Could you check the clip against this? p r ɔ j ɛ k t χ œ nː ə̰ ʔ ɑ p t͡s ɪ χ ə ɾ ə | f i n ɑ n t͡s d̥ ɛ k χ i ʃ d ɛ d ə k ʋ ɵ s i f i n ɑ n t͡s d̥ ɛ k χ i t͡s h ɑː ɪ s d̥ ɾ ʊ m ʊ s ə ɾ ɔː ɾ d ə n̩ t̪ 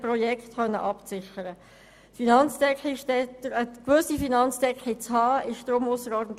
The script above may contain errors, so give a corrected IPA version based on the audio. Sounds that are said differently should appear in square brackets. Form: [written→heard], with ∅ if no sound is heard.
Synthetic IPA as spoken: p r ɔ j ɛ k t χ œ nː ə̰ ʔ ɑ p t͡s ɪ χ ə ɾ ə | f i n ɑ n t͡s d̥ ɛ k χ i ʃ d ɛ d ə k ʋ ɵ s i f i n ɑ n t͡s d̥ ɛ k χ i t͡s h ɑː ɪ [s→ʃ] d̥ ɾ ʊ m ʊ s ə ɾ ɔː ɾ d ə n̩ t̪